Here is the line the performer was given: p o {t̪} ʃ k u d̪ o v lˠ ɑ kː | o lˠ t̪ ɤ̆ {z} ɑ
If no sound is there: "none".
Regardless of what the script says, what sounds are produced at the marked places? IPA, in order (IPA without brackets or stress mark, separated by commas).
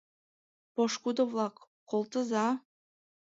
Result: none, z